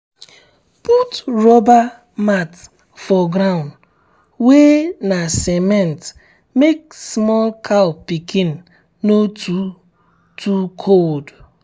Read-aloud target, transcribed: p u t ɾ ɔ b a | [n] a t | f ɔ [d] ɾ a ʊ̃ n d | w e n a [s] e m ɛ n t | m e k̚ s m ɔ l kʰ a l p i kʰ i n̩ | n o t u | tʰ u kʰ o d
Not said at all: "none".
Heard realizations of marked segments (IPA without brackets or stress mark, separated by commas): m, ɡ, s